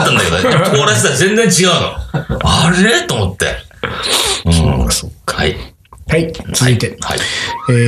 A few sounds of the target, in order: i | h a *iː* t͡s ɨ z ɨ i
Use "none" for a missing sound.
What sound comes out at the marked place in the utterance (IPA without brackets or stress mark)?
i